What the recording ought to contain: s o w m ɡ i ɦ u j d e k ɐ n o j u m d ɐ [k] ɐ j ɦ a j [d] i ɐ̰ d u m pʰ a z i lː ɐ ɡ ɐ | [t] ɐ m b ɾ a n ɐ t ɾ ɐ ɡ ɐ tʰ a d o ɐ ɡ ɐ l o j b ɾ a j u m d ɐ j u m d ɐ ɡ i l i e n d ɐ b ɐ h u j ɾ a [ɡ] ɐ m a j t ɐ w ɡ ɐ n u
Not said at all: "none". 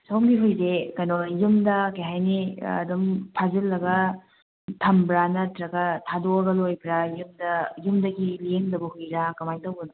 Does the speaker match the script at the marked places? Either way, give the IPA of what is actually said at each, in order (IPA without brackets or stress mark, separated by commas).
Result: k, n, tʰ, k